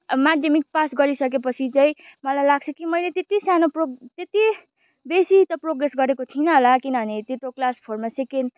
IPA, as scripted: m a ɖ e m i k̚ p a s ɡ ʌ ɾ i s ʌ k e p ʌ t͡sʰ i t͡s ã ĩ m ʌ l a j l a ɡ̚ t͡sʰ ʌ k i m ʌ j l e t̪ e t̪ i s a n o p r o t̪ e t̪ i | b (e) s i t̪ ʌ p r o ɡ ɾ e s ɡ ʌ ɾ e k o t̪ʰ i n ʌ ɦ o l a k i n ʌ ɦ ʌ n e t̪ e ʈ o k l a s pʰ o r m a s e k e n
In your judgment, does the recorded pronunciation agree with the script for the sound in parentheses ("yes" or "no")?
yes